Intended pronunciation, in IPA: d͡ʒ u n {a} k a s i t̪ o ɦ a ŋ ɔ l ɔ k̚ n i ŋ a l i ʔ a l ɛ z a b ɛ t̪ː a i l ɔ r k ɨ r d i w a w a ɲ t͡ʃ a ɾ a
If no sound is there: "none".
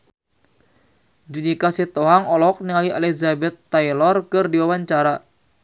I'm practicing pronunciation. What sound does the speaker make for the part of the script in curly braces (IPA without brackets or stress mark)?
i